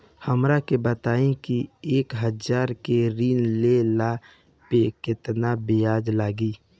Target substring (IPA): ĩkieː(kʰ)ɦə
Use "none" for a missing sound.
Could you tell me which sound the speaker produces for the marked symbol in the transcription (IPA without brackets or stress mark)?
k